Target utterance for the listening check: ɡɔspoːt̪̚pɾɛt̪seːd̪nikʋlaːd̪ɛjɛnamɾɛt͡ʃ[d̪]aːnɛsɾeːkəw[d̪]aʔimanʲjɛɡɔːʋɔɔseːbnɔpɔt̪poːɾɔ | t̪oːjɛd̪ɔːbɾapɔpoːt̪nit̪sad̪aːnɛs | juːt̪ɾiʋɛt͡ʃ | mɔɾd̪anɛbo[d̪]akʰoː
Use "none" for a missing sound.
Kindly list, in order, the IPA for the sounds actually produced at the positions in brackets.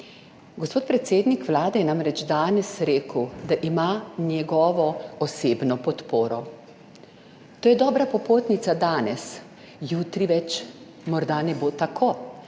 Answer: d̪, d̪, t̪

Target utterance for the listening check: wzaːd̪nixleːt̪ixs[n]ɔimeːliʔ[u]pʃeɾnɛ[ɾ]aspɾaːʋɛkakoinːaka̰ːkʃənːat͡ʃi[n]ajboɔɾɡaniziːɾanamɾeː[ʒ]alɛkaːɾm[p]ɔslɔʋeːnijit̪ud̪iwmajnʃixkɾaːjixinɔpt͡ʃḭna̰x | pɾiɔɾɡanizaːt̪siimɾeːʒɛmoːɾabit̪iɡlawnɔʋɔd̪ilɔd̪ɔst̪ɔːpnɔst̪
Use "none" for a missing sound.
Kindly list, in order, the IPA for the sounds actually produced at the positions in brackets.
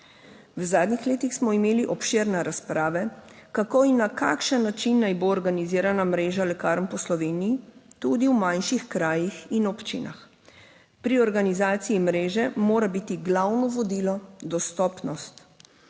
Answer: m, ɔ, ɾ, nː, ʒ, p

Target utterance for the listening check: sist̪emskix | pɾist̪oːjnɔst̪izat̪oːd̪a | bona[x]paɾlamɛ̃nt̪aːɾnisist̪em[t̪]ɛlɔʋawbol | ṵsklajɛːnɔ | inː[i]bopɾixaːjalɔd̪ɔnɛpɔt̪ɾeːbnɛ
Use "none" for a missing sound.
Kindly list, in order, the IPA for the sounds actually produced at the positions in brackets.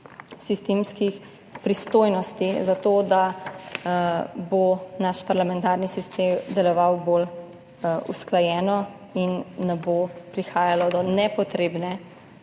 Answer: ʃ, d̪, ɛ

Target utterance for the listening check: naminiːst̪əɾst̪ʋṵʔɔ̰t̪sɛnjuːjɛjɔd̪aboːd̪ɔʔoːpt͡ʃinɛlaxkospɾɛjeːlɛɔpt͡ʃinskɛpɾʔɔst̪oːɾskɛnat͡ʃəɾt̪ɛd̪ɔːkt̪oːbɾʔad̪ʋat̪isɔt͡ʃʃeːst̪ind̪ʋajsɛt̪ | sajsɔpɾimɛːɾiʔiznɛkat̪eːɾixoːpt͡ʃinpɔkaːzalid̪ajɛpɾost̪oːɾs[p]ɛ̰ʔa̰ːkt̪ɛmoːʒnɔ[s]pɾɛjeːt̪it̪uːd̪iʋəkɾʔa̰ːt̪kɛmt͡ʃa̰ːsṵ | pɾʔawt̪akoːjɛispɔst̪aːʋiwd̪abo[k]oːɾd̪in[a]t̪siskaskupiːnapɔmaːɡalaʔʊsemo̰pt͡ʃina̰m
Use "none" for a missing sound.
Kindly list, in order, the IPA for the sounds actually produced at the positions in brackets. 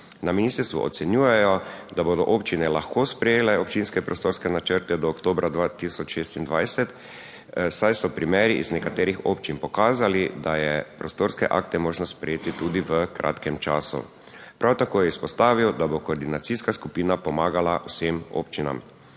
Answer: k, s, k, a

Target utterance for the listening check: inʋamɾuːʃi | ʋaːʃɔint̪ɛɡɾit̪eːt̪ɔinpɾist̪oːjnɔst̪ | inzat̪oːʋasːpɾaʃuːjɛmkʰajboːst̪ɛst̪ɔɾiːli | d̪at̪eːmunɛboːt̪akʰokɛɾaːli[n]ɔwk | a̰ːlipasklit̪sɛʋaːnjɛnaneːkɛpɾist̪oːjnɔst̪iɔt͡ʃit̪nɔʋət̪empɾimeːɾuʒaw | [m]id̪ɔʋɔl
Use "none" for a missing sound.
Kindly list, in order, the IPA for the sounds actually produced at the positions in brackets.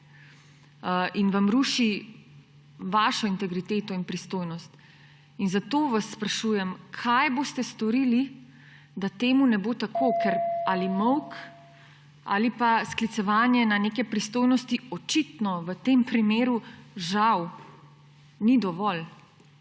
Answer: m, n

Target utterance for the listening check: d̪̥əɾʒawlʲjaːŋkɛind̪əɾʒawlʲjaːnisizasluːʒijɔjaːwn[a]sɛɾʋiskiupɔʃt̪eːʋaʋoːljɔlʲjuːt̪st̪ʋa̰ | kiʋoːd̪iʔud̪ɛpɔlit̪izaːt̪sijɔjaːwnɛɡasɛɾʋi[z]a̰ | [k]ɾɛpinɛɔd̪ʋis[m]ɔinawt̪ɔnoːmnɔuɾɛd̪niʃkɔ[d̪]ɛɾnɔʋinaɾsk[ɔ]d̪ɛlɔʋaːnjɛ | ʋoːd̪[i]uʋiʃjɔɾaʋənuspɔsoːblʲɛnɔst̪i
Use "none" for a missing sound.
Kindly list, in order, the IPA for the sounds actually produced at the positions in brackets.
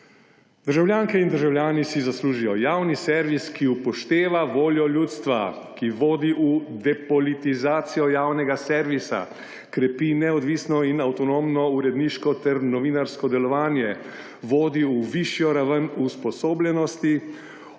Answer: i, s, k, n, t̪, ɔ, i

